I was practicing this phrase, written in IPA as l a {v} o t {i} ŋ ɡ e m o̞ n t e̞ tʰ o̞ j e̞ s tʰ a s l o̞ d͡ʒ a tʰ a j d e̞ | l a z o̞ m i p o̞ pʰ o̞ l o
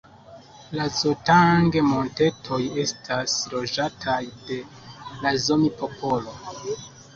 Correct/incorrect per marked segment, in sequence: incorrect, incorrect

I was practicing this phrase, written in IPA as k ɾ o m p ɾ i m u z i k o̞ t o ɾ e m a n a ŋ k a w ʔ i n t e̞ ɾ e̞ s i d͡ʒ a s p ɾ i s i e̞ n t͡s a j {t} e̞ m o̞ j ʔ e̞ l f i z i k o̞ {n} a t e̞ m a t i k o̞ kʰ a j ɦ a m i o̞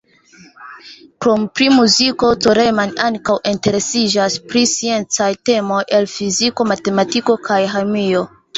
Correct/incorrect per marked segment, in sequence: correct, incorrect

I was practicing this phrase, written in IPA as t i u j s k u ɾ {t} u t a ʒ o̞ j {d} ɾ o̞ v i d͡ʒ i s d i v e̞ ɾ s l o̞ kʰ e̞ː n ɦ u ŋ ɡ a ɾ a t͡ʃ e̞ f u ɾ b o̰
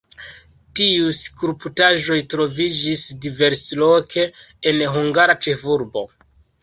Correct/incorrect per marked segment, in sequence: incorrect, incorrect

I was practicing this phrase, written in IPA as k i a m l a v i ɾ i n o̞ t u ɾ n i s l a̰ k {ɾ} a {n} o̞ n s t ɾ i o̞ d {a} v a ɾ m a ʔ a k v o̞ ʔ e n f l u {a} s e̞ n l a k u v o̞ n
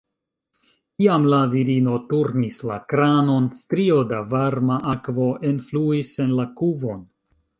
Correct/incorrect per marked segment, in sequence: correct, correct, correct, incorrect

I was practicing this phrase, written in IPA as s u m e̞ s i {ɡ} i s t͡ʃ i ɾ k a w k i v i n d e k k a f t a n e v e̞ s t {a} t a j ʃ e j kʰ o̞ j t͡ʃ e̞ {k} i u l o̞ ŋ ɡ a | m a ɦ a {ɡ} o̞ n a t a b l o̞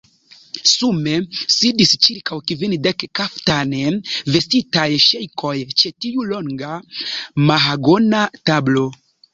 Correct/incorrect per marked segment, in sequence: incorrect, incorrect, incorrect, correct

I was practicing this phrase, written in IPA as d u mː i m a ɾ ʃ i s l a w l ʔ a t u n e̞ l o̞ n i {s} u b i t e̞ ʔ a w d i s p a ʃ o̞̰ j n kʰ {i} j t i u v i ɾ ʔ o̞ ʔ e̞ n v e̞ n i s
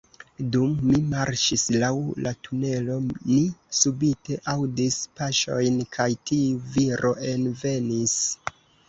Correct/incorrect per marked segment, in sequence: correct, incorrect

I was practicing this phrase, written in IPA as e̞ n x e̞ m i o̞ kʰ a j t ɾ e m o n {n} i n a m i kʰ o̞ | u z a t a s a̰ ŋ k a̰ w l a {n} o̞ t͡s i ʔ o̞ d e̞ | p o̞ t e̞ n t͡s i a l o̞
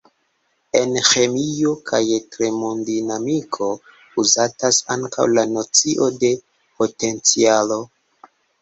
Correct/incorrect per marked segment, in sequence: incorrect, correct

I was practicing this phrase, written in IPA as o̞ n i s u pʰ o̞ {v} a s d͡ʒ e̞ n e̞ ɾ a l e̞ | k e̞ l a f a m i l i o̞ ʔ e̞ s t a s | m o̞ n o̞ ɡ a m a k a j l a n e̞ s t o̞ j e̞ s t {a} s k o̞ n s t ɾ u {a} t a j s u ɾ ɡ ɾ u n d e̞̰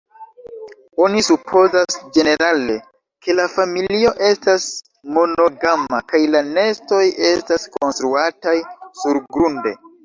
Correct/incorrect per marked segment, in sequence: incorrect, correct, correct

